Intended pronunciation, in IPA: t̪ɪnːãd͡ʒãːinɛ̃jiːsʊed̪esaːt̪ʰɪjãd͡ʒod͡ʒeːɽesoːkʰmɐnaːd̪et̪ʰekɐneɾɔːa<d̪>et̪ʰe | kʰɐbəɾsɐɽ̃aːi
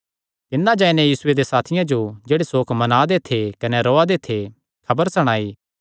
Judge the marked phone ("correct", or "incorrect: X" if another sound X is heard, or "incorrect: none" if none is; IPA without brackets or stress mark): correct